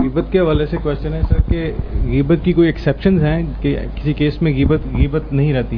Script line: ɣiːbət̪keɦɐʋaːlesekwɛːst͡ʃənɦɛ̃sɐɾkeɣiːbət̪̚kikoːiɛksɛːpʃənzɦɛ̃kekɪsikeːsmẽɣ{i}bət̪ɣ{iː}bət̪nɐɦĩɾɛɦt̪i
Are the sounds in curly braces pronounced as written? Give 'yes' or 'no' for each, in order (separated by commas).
no, yes